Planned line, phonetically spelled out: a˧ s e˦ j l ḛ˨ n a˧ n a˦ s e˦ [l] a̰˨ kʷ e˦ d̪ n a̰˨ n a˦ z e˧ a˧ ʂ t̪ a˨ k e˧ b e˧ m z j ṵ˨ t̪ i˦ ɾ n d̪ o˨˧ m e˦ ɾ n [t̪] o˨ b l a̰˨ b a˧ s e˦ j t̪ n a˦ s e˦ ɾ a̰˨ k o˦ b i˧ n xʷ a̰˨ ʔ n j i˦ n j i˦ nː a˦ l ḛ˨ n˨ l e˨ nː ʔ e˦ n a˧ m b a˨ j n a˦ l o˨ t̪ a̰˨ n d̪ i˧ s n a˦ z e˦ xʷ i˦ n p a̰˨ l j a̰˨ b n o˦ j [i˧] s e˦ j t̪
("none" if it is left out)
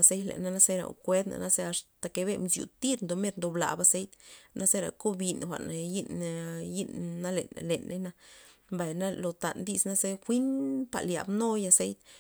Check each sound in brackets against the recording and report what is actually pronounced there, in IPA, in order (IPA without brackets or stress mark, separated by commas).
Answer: ɾ, d̪, a˧